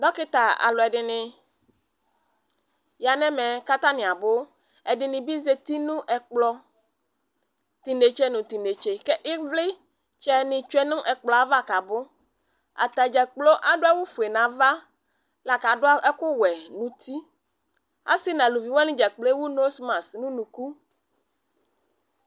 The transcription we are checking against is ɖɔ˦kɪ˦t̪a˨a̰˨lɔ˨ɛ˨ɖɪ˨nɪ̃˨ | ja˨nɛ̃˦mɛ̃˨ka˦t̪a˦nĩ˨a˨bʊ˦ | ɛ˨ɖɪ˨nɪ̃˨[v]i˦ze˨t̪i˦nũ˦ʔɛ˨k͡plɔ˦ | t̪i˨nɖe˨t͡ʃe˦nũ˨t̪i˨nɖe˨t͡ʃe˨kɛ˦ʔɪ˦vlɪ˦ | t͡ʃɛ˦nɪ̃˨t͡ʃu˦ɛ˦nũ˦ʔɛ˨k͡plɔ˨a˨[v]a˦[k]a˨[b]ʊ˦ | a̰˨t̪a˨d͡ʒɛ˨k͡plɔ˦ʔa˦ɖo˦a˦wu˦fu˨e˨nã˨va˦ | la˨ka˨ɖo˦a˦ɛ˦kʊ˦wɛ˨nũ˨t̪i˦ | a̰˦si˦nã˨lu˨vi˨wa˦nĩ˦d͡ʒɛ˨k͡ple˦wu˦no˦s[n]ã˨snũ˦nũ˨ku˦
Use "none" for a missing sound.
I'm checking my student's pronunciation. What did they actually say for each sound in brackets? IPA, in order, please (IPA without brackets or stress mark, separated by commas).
b, v, k, b, m